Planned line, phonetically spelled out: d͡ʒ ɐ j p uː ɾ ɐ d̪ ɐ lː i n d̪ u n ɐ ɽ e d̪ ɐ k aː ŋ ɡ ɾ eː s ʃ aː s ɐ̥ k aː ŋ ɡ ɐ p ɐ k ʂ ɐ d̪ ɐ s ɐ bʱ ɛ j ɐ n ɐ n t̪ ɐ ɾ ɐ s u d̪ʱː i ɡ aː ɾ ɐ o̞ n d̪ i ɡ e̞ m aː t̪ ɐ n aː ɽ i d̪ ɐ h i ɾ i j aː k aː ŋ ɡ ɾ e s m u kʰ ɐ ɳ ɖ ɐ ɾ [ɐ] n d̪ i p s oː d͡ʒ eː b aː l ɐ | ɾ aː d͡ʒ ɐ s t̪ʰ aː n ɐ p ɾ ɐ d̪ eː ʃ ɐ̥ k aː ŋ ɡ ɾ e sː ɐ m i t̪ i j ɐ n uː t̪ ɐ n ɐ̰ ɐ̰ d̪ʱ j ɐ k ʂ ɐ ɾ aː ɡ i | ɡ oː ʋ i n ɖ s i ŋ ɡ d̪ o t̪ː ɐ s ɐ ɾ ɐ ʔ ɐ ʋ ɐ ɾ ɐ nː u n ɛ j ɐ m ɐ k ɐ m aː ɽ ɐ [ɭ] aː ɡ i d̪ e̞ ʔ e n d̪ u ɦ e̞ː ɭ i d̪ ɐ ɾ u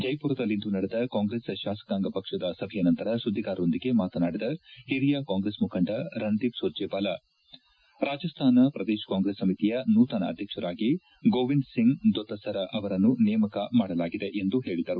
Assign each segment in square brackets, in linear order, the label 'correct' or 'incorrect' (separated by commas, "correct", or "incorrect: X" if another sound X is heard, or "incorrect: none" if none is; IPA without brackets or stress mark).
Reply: correct, incorrect: l